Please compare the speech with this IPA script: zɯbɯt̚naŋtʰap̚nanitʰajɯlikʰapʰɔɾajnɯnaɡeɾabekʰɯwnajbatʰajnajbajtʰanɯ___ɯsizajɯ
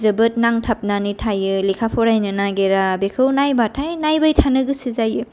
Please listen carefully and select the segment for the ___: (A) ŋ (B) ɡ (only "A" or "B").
B